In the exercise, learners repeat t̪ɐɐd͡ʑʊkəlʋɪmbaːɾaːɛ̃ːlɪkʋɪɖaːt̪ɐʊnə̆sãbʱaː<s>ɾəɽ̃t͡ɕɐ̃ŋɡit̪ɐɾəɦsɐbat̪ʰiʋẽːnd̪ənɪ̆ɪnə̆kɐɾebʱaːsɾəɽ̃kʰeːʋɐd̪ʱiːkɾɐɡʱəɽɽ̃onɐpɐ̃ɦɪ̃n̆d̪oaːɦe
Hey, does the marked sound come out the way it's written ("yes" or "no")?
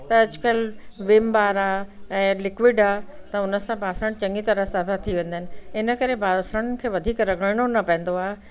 yes